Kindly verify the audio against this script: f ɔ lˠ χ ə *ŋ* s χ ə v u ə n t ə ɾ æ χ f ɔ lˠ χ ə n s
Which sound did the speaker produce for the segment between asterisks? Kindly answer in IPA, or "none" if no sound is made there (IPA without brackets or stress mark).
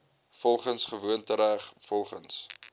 n